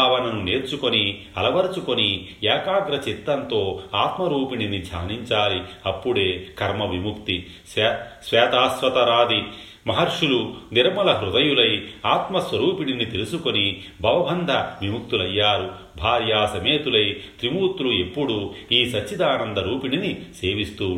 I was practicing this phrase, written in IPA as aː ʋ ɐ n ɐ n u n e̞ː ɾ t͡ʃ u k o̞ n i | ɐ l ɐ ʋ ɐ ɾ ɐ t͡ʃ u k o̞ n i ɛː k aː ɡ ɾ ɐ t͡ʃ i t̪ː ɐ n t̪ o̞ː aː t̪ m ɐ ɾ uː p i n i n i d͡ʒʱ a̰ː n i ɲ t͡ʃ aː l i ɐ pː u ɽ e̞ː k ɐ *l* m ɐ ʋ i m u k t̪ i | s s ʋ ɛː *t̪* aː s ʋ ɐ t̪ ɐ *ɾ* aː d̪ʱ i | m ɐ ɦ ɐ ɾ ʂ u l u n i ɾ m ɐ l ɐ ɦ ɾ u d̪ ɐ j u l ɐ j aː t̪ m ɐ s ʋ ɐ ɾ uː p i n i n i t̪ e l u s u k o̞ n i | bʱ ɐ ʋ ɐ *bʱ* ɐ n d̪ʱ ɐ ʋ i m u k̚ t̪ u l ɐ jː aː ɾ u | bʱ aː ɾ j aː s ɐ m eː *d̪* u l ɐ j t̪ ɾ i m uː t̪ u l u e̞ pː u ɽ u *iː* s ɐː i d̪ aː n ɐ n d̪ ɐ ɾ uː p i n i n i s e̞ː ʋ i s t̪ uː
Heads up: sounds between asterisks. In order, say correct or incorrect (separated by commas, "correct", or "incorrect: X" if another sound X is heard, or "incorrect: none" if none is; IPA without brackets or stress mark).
incorrect: ɾ, correct, correct, correct, incorrect: t̪, correct